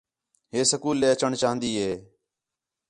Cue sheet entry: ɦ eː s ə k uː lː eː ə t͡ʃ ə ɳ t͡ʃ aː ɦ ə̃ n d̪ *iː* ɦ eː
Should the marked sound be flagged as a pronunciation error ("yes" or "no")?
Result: no